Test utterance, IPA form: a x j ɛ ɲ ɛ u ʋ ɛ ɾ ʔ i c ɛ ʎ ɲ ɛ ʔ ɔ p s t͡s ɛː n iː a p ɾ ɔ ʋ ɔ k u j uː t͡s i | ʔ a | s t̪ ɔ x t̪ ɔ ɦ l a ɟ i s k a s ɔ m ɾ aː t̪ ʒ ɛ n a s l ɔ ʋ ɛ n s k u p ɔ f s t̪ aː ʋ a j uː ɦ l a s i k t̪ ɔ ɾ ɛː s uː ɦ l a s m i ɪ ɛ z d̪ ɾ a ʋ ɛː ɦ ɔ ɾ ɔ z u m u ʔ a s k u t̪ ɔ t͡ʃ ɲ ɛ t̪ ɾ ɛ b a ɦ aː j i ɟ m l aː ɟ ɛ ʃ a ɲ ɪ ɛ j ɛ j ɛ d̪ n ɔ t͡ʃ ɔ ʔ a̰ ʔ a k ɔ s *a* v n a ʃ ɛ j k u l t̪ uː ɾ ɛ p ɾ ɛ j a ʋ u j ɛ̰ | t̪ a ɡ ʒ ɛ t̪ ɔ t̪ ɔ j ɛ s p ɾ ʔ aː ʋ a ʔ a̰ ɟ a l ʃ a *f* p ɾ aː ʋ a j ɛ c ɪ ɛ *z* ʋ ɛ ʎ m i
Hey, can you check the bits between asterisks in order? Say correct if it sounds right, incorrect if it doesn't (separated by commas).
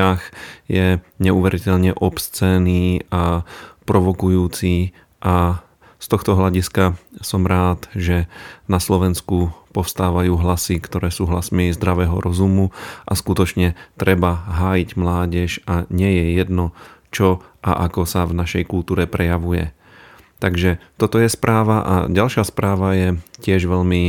correct, incorrect, incorrect